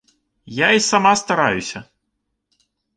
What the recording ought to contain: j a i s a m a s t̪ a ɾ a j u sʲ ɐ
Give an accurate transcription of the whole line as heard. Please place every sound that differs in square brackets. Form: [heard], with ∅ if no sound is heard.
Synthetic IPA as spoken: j a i s a m a s t̪ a ɾ a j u sʲ ɐ